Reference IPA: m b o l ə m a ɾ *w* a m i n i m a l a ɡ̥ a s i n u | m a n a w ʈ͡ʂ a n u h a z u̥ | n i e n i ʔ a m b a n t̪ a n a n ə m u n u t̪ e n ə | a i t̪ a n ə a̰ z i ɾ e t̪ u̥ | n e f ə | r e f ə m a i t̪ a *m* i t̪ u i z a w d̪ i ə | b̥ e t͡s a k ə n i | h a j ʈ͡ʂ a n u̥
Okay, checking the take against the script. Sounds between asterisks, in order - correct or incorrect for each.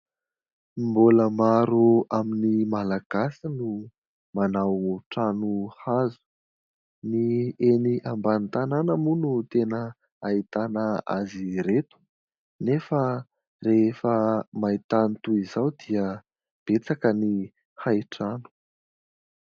incorrect: u, incorrect: n

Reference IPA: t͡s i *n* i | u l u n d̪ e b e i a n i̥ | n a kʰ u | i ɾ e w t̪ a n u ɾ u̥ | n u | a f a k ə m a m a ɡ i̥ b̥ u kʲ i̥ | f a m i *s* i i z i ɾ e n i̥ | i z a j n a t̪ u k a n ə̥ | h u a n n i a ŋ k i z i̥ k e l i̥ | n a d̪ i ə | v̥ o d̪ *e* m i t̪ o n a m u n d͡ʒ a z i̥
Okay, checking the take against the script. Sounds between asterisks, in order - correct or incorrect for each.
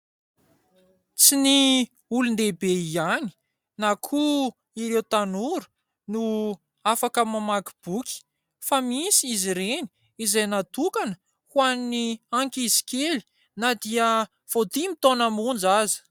correct, correct, incorrect: i

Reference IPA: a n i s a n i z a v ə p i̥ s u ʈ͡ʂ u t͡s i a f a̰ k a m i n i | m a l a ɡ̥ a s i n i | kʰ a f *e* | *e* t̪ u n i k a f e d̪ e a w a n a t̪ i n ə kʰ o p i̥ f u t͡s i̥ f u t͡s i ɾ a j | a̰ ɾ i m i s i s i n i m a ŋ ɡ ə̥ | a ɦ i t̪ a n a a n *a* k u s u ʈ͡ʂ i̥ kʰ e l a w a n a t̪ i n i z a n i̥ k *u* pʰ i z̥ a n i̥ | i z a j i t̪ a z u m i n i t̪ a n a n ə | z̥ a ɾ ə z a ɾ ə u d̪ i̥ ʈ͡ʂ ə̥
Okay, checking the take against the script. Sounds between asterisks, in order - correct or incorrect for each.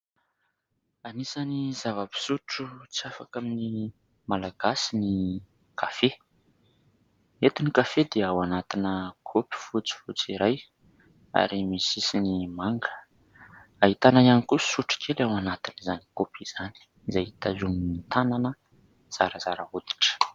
correct, correct, incorrect: i, incorrect: o

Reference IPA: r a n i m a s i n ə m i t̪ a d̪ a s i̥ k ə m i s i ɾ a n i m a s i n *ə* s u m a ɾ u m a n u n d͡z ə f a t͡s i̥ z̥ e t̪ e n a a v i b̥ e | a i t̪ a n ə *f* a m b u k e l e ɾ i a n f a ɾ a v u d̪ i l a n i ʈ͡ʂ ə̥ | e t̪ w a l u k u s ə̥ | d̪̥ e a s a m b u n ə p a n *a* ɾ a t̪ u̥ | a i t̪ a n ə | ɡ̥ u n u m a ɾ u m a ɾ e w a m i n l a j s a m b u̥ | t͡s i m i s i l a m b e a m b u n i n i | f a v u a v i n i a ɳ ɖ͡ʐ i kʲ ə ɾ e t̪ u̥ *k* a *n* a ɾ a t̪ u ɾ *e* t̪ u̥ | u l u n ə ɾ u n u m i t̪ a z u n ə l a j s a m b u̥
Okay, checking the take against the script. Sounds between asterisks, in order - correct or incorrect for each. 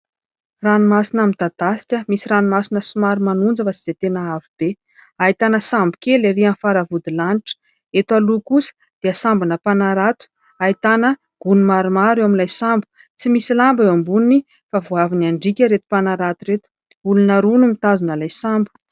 correct, incorrect: s, correct, incorrect: p, correct, correct

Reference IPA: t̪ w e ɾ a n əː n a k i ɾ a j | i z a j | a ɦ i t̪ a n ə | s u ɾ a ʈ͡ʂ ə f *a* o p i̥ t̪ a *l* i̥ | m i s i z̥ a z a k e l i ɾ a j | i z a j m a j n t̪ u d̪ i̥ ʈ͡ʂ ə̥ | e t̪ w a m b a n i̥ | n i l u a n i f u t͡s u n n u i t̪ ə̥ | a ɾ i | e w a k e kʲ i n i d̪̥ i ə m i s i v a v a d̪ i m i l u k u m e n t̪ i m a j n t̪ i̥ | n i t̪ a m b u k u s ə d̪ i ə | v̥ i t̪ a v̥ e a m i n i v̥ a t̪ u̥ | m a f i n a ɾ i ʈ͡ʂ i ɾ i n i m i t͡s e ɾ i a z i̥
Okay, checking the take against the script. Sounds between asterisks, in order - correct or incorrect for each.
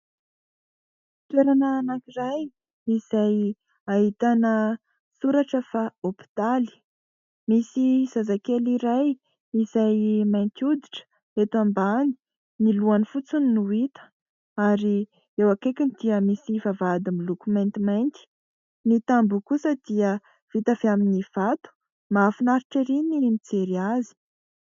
correct, correct

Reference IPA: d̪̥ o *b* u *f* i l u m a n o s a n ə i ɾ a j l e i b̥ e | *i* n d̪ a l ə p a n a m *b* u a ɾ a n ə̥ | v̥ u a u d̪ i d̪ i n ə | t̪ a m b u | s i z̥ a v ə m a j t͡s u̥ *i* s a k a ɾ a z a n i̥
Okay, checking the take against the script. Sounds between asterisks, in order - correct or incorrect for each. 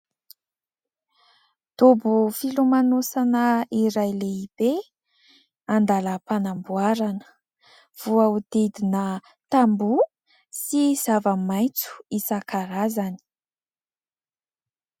correct, correct, incorrect: a, correct, correct

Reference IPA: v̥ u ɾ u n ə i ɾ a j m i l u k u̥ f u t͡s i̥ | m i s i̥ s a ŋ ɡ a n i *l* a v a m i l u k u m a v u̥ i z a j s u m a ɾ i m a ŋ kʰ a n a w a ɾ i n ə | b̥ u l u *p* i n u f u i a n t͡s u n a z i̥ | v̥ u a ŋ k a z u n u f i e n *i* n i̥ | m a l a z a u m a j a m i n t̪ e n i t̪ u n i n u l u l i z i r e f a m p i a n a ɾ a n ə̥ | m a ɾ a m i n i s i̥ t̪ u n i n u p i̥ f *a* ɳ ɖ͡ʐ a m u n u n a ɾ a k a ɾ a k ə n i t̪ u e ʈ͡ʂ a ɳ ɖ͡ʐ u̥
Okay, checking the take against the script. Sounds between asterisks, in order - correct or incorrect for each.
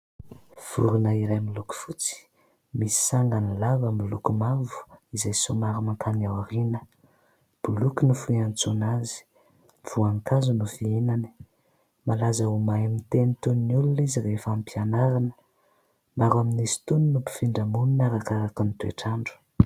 correct, incorrect: k, incorrect: a, incorrect: i

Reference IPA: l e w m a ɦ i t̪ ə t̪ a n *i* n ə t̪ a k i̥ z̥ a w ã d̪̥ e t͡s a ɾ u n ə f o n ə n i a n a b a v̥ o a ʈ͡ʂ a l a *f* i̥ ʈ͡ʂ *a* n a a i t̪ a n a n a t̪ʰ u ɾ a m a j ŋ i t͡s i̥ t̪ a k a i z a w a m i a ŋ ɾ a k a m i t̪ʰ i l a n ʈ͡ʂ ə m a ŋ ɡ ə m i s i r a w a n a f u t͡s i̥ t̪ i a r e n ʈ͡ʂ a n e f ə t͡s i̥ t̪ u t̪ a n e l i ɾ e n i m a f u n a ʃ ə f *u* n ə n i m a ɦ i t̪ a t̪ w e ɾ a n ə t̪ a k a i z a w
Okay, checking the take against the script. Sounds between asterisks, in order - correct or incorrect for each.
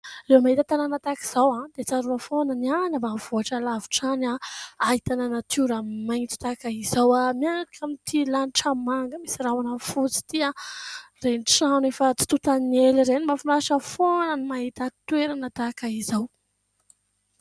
incorrect: a, incorrect: v, correct, incorrect: o

